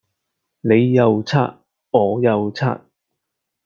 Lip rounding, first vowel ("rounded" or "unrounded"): unrounded